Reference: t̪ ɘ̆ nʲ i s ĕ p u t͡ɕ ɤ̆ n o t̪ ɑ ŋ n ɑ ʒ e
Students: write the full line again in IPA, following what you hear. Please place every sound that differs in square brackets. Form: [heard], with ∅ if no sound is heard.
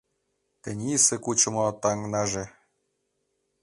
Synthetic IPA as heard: t̪ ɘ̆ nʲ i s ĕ [k] u t͡ɕ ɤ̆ [m] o t̪ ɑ ŋ n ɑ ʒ e

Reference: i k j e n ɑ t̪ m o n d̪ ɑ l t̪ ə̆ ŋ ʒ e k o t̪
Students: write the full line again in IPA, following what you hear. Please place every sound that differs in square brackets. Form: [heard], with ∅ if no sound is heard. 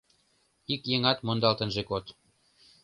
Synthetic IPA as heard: i k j e [ŋ] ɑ t̪ m o n d̪ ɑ l t̪ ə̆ [n] ʒ e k o t̪

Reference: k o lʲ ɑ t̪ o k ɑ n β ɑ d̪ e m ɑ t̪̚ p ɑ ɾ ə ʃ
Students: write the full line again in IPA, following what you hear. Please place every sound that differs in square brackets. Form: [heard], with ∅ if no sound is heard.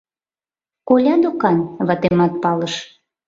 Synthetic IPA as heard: k o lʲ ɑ [d̪] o k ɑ n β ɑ [t̪] e m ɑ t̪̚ p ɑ [l] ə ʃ

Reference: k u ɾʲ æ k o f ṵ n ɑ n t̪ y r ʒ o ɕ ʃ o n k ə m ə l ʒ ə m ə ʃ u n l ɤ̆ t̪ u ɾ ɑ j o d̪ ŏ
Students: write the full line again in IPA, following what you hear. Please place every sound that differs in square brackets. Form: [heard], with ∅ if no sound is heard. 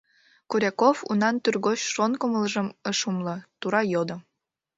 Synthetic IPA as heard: k u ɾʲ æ k o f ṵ n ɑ n t̪ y r [ɣ] o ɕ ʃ o n k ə m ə l ʒ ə m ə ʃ u [m] l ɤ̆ t̪ u ɾ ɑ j o d̪ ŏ

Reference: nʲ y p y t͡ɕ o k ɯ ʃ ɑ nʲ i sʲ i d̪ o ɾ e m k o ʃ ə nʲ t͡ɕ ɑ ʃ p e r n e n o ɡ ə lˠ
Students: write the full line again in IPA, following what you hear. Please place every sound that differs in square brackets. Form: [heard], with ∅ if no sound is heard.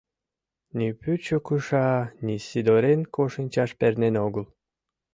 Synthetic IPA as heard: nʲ [i] p y t͡ɕ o k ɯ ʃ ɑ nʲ i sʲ i d̪ o ɾ e [n] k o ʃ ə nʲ t͡ɕ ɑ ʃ p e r n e n o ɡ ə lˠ

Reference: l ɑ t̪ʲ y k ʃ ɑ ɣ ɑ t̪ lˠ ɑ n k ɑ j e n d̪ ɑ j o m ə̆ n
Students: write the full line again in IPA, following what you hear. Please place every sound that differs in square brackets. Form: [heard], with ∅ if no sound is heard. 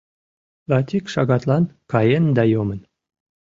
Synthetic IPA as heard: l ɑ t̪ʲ [i] k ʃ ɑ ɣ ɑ t̪ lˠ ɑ n k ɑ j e n d̪ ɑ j o m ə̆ n

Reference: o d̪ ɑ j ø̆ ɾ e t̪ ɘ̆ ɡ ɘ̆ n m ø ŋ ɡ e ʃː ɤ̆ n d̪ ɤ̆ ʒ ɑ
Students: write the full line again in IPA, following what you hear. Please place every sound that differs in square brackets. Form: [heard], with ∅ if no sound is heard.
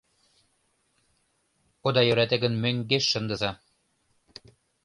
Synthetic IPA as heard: o d̪ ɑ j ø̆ ɾ [æ] t̪ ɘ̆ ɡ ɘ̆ n m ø ŋ ɡ e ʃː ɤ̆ n d̪ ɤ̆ [z] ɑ

